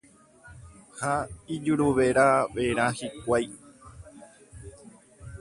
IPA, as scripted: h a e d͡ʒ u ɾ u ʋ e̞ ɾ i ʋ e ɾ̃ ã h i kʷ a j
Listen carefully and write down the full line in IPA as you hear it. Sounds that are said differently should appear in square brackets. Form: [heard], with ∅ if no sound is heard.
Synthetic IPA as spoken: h a [i] d͡ʒ u ɾ u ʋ e̞ ɾ [a] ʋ e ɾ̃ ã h i kʷ a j